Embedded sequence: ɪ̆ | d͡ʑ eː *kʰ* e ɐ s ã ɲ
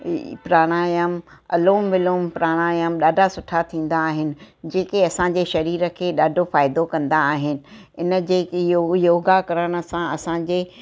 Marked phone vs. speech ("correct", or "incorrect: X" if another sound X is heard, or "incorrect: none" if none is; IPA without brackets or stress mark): incorrect: k